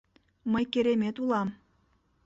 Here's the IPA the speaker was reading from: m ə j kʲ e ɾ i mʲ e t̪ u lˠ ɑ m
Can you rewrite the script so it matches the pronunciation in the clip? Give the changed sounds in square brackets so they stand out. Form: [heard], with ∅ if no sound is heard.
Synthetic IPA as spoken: m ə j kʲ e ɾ [e] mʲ e t̪ u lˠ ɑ m